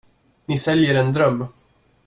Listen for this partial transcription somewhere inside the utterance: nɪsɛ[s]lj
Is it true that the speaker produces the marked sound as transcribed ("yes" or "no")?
no